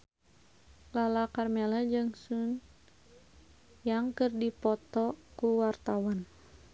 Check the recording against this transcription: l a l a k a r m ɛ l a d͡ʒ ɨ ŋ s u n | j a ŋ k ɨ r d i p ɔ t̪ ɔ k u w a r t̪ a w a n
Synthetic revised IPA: l a l a k a r m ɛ l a d͡ʒ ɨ ŋ s u n | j a ŋ k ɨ r d i p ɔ t̪ ɔ k u w a r t̪ a w a n